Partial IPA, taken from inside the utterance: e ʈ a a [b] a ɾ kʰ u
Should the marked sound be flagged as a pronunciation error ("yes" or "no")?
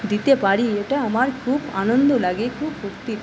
yes